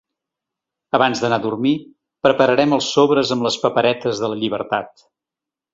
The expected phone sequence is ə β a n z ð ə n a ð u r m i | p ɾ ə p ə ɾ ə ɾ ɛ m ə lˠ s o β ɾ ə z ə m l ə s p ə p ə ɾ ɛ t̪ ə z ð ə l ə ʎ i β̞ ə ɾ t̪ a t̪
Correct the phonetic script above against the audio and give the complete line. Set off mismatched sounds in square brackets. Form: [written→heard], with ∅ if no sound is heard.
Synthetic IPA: ə β a n z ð ə n a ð u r m i | p ɾ ə p ə ɾ ə ɾ ɛ m ə lˠ s o β ɾ ə z ə m l ə s p ə p ə ɾ ɛ t̪ ə z ð ə l ə ʎ i β̞ ə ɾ t̪ a t̪